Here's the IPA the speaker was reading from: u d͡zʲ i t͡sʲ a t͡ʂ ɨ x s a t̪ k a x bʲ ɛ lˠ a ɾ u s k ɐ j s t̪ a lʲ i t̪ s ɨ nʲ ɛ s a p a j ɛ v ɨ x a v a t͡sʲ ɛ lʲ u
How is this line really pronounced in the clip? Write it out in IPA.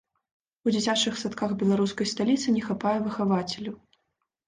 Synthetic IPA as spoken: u d͡zʲ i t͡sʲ a t͡ʂ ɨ x s a t̪ k a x bʲ ɛ lˠ a ɾ u s k ɐ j s t̪ a lʲ i t̪ s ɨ nʲ ɛ x a p a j ɛ v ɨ x a v a t͡sʲ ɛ lʲ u